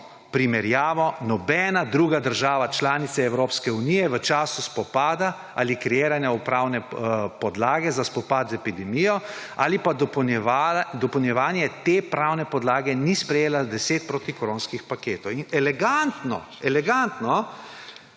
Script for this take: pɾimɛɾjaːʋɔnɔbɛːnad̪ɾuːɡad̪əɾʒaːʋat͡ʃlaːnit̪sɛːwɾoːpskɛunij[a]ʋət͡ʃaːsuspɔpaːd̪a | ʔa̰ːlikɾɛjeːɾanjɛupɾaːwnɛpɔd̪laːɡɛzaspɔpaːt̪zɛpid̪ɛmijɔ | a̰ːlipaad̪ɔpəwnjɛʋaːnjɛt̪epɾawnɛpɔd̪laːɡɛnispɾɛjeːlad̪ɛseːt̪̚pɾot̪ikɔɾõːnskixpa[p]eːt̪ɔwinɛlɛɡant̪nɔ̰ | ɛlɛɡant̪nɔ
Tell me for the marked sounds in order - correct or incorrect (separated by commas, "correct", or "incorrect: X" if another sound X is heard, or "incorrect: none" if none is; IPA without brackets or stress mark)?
incorrect: ɛ, incorrect: k